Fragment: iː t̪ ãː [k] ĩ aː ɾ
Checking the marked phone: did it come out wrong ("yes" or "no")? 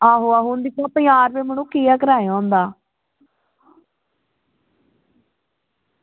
yes